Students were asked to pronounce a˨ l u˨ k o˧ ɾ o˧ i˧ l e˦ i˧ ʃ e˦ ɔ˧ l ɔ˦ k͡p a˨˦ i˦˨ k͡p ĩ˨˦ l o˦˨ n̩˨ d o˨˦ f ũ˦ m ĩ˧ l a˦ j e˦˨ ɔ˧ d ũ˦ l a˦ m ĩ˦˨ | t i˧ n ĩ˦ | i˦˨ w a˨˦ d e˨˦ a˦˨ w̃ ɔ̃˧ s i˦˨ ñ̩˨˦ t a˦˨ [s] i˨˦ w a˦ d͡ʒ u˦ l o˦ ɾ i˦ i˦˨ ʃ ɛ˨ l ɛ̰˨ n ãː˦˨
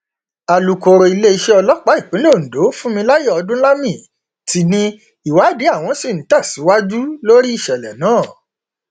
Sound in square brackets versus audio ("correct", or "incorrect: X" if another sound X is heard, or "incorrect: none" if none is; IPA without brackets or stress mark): correct